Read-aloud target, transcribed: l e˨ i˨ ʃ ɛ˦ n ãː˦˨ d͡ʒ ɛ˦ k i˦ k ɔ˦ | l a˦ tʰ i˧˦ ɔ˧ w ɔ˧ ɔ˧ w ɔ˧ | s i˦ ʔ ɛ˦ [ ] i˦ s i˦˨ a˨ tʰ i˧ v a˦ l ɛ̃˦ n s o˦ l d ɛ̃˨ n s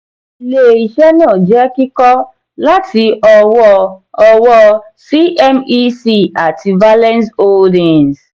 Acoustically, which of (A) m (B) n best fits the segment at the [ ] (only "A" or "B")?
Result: A